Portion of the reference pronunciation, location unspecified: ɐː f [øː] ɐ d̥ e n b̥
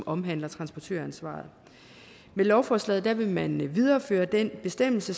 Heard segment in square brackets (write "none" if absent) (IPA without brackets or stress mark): øː